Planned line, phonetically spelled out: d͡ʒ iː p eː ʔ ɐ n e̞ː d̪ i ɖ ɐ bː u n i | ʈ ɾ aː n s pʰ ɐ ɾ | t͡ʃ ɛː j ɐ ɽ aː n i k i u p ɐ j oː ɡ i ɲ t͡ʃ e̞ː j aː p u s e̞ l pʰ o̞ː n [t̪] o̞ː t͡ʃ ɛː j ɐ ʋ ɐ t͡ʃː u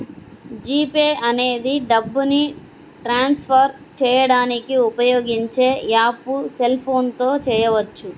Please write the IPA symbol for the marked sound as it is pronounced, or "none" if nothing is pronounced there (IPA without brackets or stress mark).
t̪